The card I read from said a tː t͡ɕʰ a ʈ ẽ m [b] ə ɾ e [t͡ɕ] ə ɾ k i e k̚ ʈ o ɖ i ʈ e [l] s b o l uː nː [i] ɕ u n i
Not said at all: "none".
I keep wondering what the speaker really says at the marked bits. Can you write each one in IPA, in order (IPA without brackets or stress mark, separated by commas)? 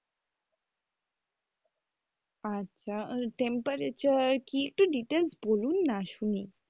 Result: p, t͡ɕ, l, a